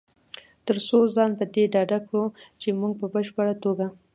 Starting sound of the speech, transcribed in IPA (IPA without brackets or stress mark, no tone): t̪